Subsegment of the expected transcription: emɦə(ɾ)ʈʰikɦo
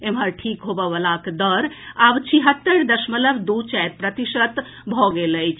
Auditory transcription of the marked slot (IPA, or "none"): ɾ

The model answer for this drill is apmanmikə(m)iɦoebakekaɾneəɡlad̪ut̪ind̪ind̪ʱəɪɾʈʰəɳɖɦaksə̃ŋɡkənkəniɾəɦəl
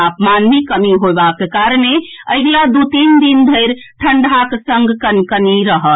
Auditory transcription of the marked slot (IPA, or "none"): m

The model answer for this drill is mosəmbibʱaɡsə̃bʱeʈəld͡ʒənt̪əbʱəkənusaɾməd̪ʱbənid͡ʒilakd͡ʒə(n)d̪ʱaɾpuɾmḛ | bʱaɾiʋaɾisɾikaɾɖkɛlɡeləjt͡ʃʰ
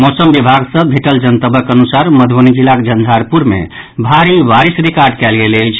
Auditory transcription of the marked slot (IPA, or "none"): n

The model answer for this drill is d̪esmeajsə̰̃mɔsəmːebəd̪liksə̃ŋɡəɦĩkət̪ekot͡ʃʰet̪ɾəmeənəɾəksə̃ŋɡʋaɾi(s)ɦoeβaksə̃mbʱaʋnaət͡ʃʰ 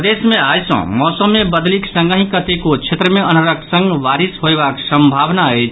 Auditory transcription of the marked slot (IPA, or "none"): s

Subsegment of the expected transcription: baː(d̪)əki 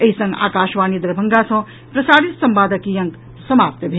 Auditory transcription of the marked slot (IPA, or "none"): d̪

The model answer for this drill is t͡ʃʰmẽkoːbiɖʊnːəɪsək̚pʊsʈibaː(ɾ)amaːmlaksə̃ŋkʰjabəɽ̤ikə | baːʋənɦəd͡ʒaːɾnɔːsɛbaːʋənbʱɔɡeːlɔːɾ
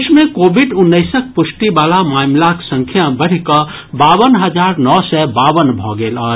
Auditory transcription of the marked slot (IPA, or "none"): l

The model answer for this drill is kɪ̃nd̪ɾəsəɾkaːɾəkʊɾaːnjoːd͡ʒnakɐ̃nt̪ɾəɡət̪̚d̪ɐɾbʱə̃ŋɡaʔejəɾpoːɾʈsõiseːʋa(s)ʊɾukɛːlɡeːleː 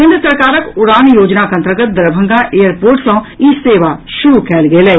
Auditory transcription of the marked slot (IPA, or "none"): ʃ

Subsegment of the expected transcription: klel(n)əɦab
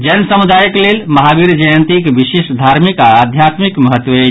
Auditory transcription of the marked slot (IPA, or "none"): m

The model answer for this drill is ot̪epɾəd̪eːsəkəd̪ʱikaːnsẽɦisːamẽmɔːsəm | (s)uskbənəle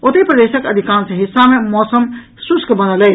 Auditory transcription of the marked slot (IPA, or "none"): s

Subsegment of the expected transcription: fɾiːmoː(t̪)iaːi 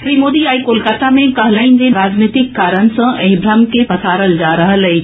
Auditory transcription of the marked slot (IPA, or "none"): d̪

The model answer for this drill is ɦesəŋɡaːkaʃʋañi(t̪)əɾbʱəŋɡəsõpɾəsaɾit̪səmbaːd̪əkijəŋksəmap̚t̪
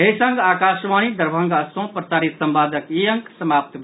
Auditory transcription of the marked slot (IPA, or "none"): d̪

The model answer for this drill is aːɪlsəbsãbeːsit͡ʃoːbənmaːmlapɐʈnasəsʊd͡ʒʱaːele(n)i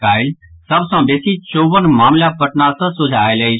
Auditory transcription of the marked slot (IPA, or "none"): none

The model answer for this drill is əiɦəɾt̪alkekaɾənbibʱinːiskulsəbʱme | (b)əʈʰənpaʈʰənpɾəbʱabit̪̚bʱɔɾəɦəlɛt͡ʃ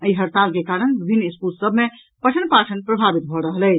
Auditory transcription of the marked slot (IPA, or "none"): p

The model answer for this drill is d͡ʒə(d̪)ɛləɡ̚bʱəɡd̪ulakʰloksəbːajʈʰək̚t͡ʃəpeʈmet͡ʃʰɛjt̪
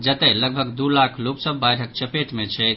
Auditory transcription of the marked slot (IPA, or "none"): t̪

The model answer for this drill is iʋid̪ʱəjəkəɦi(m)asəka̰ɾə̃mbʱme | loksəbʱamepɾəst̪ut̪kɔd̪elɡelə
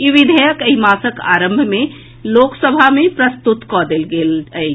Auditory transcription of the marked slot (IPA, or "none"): m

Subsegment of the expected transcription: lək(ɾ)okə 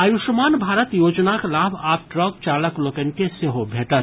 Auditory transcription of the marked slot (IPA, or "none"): l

